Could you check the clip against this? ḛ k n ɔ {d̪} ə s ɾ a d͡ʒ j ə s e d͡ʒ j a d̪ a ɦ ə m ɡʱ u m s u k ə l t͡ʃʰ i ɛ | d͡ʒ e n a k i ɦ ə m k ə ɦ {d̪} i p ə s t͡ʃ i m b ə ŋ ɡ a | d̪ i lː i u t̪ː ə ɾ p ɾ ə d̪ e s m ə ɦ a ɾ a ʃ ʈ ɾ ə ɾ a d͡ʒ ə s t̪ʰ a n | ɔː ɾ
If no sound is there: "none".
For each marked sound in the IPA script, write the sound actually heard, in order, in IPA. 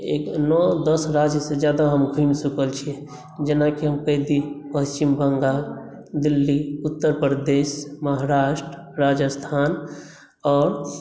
d̪, d̪

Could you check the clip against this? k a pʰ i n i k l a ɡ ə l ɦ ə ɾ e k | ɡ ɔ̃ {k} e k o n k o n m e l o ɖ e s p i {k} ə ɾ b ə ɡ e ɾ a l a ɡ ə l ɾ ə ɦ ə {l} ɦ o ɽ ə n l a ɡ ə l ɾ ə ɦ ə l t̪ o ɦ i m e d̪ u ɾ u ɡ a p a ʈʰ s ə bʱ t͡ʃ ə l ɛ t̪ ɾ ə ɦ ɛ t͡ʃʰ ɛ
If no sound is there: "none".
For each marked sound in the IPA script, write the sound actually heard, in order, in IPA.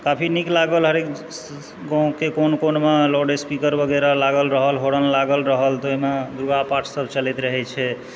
k, k, l

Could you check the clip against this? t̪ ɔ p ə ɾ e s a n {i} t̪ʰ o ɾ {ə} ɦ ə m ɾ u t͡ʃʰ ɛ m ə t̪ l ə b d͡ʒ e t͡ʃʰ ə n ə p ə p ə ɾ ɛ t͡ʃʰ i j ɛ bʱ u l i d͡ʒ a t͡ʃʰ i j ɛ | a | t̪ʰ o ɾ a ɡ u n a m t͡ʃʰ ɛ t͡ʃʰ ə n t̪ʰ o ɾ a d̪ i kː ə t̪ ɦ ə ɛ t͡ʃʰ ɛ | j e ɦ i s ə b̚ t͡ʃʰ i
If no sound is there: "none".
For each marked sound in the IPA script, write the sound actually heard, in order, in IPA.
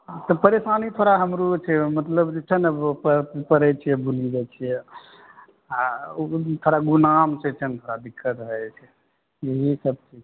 i, a

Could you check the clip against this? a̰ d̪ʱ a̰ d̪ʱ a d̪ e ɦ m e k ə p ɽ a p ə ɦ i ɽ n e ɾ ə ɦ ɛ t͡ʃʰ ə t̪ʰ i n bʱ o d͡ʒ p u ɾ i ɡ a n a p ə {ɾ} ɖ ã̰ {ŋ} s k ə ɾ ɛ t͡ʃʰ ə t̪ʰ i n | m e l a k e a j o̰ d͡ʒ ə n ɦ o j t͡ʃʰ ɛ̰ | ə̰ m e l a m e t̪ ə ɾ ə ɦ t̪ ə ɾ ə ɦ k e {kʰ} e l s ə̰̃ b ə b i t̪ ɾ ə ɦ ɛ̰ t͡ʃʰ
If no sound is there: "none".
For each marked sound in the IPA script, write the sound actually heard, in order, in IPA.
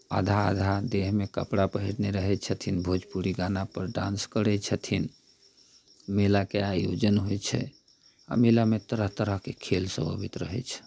ɾ, n, kʰ

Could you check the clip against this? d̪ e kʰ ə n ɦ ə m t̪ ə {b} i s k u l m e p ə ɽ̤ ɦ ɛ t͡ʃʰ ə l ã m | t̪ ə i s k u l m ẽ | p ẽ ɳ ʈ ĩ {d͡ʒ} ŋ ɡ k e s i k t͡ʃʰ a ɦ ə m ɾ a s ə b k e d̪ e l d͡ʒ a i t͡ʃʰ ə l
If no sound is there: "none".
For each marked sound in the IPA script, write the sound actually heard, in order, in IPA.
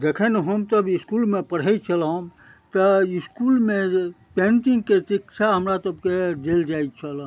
b, none

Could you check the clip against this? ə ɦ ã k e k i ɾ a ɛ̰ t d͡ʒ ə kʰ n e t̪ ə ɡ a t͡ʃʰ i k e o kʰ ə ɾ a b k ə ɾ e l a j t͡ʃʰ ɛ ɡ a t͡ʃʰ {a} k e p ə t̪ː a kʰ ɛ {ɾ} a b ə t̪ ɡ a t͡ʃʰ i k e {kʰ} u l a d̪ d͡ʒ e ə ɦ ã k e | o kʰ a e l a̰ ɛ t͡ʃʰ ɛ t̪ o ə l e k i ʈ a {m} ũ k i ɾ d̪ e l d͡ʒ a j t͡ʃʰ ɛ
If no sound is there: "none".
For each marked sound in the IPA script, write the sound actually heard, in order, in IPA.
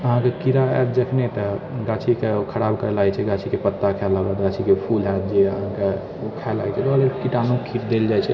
i, l, pʰ, n

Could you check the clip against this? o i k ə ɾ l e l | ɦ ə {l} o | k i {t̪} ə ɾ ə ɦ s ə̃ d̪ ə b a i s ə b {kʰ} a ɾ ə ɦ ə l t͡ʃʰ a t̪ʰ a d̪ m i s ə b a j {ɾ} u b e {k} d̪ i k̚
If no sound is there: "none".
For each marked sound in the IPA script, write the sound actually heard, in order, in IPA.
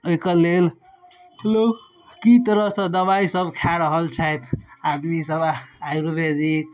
l, t̪, kʰ, ɾ, none

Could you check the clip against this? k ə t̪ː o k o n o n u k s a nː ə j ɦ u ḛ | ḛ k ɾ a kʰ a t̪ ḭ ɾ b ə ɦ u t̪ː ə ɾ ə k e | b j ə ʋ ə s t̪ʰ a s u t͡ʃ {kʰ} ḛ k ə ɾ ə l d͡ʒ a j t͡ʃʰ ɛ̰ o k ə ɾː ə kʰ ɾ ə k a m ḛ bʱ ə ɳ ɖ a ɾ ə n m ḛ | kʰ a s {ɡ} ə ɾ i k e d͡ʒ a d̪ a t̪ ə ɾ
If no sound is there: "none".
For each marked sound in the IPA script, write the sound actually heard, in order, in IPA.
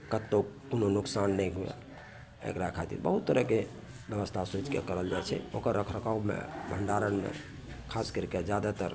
k, k

